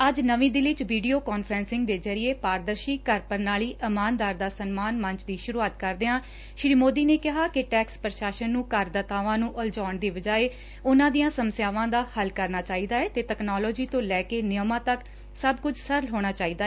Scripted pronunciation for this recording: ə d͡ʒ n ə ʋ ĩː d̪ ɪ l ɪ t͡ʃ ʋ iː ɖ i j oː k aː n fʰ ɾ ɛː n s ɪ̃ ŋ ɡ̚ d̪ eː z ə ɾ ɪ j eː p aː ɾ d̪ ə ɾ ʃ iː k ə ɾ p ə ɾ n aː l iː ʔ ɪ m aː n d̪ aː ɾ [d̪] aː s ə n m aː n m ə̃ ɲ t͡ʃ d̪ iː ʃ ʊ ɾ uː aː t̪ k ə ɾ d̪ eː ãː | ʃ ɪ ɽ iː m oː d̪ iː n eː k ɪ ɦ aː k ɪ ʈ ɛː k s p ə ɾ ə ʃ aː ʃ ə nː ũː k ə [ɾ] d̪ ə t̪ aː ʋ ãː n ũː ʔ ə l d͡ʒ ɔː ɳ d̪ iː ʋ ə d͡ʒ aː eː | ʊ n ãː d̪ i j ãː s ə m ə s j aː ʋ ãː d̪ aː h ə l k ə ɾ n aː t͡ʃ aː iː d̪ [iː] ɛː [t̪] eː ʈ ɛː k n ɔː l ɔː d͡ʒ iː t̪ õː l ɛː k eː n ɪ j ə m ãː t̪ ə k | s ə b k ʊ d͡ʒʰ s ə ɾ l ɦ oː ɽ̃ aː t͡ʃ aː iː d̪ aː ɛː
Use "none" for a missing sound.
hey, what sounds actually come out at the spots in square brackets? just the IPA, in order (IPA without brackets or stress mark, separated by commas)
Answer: d̪, ɾ, aː, t̪